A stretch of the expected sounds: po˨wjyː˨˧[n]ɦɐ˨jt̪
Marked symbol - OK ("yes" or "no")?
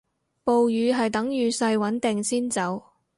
no